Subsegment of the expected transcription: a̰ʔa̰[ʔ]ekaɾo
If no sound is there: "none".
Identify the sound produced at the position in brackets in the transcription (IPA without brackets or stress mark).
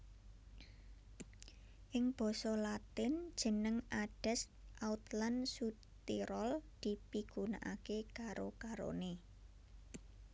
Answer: k